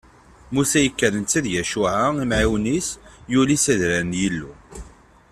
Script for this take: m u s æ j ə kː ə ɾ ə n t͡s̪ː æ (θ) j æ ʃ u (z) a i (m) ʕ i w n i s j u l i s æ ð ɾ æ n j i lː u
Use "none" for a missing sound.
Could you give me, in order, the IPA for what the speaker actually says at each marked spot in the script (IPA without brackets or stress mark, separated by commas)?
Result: ð, ʕ, m